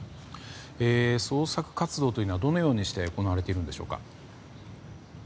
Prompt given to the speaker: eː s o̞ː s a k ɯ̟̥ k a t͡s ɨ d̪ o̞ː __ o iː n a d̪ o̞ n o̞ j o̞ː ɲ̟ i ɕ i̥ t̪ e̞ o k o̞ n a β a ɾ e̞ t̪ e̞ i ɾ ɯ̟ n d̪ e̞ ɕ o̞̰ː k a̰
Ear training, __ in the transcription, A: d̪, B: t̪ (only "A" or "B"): B